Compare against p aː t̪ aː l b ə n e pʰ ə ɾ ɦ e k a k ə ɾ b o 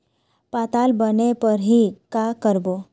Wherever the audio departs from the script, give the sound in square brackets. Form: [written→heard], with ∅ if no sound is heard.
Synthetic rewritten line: p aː t̪ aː l b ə n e [pʰ→p] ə ɾ ɦ [e→i] k a k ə ɾ b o